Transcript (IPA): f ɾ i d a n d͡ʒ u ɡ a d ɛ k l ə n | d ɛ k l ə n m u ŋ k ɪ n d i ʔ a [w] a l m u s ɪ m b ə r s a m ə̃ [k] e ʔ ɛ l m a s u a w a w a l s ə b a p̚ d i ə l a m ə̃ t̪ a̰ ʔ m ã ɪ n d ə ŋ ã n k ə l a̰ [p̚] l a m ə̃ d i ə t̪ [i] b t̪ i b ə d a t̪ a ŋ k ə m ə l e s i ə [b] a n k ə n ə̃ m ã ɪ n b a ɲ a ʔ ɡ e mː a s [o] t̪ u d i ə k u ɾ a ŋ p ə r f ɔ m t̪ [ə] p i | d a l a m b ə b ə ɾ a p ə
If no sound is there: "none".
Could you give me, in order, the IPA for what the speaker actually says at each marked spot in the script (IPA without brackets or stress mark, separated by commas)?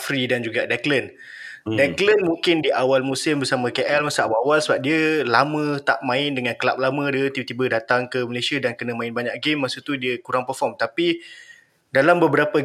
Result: w, k, p̚, i, d, u, a